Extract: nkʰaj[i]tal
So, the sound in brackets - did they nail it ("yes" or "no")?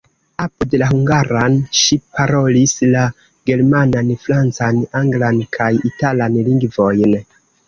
yes